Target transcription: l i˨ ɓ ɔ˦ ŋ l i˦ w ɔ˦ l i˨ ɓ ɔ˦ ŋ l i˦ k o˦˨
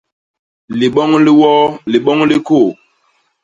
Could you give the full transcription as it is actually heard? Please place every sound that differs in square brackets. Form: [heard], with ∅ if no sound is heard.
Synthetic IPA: l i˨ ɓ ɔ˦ ŋ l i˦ w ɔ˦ l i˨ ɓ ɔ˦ ŋ l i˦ k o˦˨